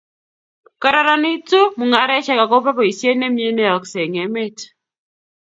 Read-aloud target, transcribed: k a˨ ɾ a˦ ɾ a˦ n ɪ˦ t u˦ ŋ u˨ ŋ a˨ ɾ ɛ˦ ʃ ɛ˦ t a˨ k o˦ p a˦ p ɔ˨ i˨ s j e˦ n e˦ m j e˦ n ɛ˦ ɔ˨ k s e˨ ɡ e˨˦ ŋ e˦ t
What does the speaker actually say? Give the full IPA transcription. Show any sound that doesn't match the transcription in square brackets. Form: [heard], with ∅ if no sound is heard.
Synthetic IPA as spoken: k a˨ ɾ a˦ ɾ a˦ n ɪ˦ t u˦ [m] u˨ ŋ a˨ ɾ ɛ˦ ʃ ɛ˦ [k] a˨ k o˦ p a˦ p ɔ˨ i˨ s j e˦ n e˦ m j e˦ n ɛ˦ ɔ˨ k s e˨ [ŋ] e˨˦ [m] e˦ t